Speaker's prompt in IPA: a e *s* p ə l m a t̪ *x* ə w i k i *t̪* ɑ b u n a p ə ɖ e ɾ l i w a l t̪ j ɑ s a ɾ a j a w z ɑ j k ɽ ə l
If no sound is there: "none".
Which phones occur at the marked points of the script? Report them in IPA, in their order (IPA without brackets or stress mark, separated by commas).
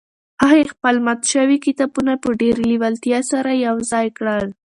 x, ʃ, t̪